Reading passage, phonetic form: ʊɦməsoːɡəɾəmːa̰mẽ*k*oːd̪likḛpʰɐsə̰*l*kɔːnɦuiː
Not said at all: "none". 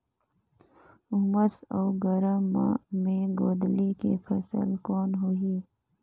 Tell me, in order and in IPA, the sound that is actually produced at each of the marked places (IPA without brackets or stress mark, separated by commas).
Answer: ɡ, l